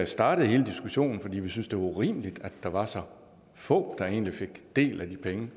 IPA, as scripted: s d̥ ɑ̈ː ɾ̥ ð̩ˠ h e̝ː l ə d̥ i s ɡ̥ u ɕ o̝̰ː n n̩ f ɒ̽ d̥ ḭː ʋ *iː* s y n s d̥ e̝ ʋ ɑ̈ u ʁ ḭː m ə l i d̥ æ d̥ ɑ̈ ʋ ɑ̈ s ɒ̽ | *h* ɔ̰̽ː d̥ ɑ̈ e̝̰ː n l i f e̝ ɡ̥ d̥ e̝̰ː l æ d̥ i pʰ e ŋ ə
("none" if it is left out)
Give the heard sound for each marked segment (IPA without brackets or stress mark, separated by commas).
i, f